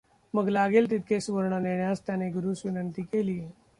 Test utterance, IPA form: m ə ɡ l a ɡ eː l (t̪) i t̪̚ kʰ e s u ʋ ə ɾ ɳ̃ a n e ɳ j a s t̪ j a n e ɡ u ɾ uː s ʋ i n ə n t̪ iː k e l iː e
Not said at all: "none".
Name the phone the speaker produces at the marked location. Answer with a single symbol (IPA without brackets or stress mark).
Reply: t̪